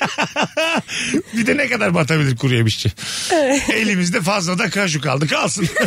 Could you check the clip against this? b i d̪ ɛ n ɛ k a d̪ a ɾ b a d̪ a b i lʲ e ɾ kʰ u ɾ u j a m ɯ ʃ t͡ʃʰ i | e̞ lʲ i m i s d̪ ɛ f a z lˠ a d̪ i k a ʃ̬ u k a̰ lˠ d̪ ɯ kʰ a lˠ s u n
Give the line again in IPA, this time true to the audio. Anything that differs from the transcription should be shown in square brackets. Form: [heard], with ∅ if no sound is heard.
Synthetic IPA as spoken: b i d̪ ɛ n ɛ k a d̪ a ɾ b a [t̪] a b i lʲ [i] ɾ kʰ u ɾ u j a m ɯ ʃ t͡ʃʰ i | e̞ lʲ i m i [z] d̪ ɛ f a z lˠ a d̪ [a] k a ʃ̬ u k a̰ lˠ d̪ ɯ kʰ a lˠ s [ɯ] n